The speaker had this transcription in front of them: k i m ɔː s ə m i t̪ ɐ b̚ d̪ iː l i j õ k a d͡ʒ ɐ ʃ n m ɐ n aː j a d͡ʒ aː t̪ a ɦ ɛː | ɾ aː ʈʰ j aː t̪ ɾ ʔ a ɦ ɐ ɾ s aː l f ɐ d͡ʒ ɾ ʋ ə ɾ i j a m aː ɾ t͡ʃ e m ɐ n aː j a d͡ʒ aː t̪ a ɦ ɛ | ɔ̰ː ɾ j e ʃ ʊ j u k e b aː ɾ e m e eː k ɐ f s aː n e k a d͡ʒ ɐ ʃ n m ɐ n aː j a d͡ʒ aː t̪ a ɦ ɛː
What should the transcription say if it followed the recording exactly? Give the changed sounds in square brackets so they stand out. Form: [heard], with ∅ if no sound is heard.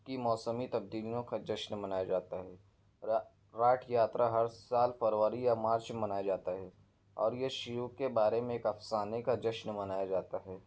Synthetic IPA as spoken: k i m ɔː s ə m i t̪ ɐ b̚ d̪ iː l i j õ k a d͡ʒ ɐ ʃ n m ɐ n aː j a d͡ʒ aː t̪ a ɦ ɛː | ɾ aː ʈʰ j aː t̪ ɾ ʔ a ɦ ɐ ɾ s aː l f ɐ [∅] ɾ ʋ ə ɾ i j a m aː ɾ t͡ʃ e m ɐ n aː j a d͡ʒ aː t̪ a ɦ ɛ | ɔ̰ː ɾ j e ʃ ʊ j u k e b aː ɾ e m [ẽ] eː k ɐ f s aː n e k a d͡ʒ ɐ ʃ n m ɐ n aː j a d͡ʒ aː t̪ a ɦ ɛː